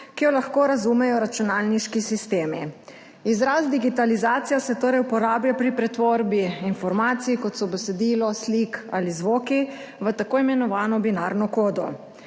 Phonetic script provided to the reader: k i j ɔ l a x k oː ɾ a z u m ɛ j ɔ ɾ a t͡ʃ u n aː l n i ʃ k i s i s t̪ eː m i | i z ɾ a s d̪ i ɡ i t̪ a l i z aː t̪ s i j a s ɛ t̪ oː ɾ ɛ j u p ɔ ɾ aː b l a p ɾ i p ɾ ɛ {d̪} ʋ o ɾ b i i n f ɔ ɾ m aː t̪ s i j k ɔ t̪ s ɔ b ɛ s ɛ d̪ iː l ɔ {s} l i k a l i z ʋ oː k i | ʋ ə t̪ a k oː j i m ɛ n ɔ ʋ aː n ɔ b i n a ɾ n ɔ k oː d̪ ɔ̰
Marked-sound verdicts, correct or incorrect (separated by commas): incorrect, correct